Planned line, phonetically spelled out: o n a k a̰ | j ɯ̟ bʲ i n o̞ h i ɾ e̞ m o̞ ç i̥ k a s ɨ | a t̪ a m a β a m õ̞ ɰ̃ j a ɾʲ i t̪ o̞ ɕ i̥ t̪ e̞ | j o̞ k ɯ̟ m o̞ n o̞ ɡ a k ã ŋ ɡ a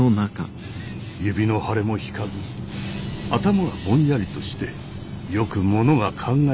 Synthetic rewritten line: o n a k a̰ | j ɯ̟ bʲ i n o̞ h a ɾ e̞ m o̞ ç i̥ k a z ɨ | a t̪ a m a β a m õ̞ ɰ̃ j a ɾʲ i t̪ o̞ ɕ i̥ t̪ e̞ | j o̞ k ɯ̟ m o̞ n o̞ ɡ a kʰ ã ŋ ɡ a